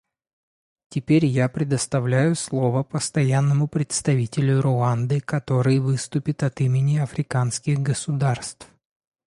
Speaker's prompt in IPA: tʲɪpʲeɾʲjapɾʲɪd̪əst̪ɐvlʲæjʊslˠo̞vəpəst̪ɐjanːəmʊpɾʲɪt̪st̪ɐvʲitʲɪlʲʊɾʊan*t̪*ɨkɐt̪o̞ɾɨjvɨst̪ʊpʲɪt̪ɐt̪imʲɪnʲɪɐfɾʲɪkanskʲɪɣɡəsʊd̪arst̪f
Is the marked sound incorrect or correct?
incorrect: d̪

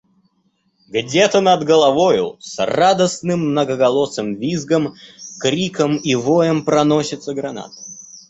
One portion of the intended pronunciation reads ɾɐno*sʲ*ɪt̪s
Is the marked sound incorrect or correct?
correct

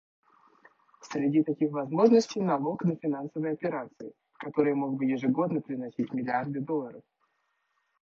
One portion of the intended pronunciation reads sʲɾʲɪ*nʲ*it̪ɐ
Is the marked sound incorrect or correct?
incorrect: dʲ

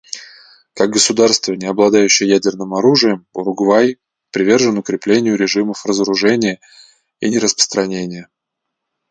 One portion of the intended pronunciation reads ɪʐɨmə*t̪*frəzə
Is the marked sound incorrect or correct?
incorrect: none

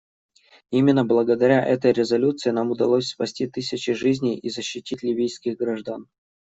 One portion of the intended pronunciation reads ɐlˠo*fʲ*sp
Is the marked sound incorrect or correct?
incorrect: sʲ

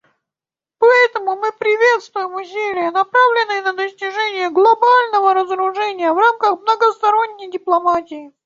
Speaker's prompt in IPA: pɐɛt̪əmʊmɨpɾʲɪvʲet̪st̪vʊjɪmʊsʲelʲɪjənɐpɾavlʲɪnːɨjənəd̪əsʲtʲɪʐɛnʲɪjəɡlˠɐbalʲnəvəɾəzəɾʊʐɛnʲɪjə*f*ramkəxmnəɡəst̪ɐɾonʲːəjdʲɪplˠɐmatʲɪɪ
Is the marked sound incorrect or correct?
incorrect: v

